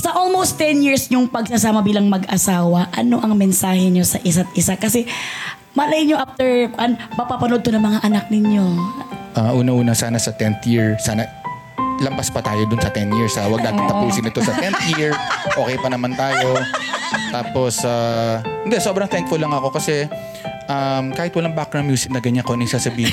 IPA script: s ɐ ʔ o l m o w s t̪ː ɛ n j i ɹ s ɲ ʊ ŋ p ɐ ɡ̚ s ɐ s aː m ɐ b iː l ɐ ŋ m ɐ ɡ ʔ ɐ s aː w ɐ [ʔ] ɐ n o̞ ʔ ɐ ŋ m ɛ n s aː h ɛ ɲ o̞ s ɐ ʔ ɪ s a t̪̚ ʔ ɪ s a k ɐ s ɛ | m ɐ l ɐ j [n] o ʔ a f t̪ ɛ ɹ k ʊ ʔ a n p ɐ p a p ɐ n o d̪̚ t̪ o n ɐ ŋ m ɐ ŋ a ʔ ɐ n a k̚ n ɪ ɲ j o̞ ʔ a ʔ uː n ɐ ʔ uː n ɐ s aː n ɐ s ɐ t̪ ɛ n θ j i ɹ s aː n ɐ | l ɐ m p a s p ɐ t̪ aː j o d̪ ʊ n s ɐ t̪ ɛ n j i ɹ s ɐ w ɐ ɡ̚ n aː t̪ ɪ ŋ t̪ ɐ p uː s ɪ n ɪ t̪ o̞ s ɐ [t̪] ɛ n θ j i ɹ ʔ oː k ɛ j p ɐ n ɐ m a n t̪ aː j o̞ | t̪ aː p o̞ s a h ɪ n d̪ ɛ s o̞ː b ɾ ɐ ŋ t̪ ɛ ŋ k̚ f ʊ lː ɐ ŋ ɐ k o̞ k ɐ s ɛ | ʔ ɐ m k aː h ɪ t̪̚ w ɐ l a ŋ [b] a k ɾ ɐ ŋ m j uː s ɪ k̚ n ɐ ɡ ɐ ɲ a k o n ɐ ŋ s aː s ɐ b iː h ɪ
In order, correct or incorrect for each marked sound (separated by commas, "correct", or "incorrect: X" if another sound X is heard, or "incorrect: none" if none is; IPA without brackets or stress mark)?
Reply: correct, incorrect: ɲ, correct, correct